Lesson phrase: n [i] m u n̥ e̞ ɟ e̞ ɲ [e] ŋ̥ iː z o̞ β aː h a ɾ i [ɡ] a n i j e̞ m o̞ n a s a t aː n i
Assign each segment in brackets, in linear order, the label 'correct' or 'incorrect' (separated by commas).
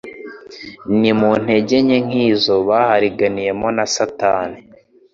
correct, correct, correct